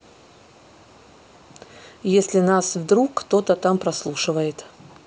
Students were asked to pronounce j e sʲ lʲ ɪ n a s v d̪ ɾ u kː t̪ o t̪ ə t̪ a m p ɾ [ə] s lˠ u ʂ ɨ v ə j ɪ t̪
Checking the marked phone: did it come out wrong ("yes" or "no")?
yes